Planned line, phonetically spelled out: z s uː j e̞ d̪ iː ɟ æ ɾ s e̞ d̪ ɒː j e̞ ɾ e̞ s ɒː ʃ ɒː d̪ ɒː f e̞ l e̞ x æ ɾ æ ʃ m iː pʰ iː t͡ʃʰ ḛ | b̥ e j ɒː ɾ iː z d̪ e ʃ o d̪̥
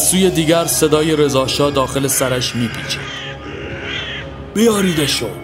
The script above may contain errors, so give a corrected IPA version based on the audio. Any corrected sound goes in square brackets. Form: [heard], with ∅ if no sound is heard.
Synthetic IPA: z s uː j e̞ d̪ iː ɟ æ ɾ s e̞ d̪ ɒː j e̞ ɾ e̞ [z] ɒː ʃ ɒː d̪ ɒː [x] e̞ l e̞ [s] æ ɾ æ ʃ m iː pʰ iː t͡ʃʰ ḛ | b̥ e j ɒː ɾ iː [∅] d̪ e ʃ o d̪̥